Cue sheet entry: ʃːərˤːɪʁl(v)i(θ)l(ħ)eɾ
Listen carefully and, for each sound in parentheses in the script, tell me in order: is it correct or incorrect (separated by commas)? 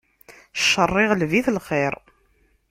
correct, correct, incorrect